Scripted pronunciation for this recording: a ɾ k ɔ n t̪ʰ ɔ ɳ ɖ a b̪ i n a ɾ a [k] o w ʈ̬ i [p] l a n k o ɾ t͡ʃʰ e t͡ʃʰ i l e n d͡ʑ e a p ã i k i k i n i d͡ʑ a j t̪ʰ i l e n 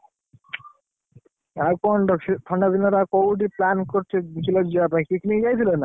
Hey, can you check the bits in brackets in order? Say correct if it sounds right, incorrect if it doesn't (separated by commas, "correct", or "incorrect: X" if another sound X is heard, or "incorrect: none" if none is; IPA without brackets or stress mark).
correct, correct